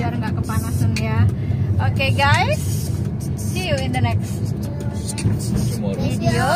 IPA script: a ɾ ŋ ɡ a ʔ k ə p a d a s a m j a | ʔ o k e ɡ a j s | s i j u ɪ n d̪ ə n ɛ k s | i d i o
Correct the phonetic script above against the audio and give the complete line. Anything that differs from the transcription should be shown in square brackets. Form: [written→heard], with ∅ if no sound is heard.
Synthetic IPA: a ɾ ŋ ɡ a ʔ k ə p a [d→n] a s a [m→n] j a | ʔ o k e ɡ a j s | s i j u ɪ n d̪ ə n ɛ k s | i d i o